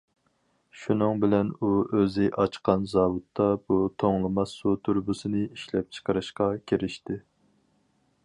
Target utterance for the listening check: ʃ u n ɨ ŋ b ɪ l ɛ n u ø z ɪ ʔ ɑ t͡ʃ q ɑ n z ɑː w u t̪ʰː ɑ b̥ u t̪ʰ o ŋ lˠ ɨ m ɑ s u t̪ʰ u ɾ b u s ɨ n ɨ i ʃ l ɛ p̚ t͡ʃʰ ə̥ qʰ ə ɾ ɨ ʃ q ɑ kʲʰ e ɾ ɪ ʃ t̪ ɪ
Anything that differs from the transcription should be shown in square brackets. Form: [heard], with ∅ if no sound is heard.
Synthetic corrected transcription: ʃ u n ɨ ŋ b ɪ l ɛ n u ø z ɪ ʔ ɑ t͡ʃ q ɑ n z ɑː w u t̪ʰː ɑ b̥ u t̪ʰ o ŋ lˠ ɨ m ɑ s u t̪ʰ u ɾ b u s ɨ n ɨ i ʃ l ɛ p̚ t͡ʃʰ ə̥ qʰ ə ɾ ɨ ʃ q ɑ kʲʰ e ɾ ɪ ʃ t̪ ɪ